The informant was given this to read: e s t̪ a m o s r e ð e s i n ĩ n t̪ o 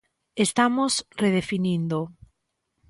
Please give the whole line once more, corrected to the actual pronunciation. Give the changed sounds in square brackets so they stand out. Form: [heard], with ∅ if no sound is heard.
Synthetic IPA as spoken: e s t̪ a m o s r e ð e [f] i n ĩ n [d̪] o